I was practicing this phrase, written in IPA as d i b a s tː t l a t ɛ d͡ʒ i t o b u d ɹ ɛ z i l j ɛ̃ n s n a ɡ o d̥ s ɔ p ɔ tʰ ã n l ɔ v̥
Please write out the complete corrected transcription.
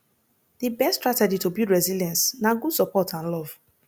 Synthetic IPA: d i b ɛ s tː t ɹ a t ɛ d͡ʒ i t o b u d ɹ ɛ z i l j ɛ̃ n s n a ɡ u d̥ s ɔ p ɔ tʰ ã n l ɔ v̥